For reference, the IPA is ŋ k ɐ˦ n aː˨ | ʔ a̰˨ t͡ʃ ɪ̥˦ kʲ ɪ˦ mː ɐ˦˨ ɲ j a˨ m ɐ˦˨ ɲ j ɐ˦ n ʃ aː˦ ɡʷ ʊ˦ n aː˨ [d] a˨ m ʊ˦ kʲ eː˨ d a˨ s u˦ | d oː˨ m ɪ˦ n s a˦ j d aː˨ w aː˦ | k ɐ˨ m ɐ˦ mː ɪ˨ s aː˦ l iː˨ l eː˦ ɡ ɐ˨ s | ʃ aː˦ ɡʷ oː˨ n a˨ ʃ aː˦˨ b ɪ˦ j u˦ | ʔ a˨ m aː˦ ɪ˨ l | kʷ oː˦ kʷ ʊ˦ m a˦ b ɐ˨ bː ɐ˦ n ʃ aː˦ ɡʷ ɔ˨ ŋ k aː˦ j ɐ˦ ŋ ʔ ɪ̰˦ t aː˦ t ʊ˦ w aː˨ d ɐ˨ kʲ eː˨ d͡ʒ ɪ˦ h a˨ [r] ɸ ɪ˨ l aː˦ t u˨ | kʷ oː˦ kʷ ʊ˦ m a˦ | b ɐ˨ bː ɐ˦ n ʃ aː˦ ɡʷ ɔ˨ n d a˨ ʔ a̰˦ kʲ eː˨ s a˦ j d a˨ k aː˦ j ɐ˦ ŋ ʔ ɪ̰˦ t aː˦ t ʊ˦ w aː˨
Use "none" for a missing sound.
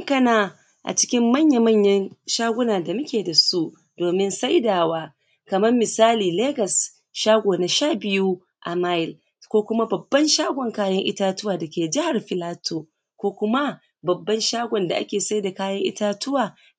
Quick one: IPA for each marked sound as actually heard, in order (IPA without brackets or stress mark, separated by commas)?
d, r